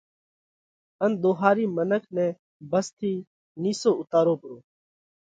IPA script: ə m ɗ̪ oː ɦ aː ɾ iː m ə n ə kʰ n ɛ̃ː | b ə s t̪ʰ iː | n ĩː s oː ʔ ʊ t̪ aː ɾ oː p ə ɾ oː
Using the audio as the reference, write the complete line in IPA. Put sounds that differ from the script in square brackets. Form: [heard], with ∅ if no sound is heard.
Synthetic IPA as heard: ə [n] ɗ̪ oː ɦ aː ɾ iː m ə n ə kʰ n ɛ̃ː | b ə s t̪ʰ iː | n [iː] s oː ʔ ʊ t̪ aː ɾ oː p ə ɾ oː